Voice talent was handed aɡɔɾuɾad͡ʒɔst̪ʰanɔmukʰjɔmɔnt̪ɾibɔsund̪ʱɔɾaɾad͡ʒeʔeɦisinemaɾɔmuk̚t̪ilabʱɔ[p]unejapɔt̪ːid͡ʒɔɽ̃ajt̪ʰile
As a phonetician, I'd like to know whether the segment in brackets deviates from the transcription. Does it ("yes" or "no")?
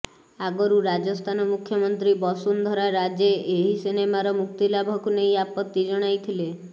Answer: yes